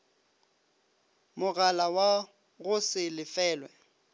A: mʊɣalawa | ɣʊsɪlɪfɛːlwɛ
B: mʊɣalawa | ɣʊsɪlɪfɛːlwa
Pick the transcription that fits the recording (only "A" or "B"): A